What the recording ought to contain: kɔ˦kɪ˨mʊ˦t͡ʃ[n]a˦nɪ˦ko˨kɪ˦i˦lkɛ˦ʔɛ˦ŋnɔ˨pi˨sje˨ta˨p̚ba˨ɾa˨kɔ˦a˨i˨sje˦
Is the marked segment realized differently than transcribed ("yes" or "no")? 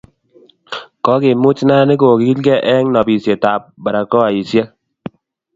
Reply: no